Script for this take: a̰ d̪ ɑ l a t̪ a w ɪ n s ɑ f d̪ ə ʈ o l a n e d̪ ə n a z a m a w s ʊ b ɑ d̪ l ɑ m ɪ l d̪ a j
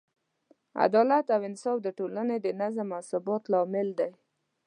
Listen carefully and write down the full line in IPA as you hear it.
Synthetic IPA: a̰ d̪ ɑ l a t̪ a w ɪ n s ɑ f d̪ ə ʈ o l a n e d̪ ə n a z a m a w s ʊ b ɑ t̪ l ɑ m ɪ l d̪ a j